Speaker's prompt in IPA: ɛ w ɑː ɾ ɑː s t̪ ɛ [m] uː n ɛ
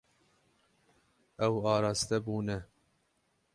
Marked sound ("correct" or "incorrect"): incorrect